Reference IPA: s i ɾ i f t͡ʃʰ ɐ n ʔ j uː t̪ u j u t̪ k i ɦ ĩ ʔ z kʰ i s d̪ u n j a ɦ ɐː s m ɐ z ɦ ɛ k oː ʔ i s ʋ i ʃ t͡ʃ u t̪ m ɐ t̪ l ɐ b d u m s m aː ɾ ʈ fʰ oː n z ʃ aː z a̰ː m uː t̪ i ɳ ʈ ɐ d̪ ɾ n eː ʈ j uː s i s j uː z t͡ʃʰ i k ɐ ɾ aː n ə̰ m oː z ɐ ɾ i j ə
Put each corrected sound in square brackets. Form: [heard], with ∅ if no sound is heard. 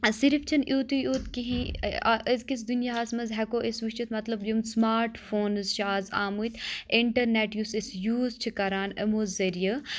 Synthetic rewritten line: s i ɾ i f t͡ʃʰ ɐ n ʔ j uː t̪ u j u t̪ k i ɦ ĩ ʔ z [k] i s d̪ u n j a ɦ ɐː s m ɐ z ɦ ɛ k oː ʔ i s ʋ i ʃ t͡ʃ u t̪ m ɐ t̪ l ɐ b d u m s m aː ɾ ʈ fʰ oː n z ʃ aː z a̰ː m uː t̪ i ɳ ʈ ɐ [∅] ɾ n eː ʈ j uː s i s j uː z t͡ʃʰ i k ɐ ɾ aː n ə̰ m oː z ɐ ɾ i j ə